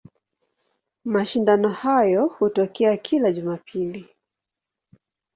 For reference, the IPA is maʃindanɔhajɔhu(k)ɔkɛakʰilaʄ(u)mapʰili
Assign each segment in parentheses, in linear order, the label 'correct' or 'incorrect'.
incorrect, correct

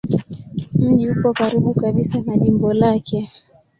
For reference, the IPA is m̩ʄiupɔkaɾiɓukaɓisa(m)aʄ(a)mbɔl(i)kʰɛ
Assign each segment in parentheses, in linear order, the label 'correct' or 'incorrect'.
incorrect, incorrect, incorrect

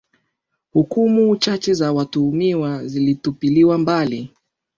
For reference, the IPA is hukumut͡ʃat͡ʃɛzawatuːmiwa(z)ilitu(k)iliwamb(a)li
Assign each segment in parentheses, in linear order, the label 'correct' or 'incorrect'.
correct, incorrect, correct

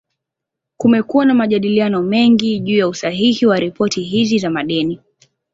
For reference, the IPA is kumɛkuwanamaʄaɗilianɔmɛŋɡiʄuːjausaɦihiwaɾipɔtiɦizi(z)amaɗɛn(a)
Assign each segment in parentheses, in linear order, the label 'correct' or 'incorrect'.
correct, incorrect

